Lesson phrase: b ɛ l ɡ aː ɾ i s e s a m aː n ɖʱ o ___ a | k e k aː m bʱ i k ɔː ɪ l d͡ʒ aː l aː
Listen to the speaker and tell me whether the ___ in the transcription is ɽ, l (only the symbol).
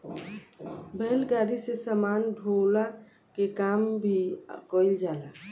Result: l